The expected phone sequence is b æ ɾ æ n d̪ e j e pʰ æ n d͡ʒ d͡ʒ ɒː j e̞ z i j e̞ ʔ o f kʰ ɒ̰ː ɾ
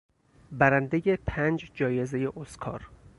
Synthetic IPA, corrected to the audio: b æ ɾ æ n d̪ e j e pʰ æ n d͡ʒ d͡ʒ ɒː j e̞ z e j e̞ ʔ o s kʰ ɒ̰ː ɾ